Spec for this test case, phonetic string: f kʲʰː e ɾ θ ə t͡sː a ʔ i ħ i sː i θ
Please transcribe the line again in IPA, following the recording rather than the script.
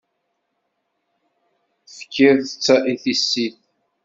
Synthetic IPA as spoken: f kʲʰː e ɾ θ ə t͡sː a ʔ i θ i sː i θ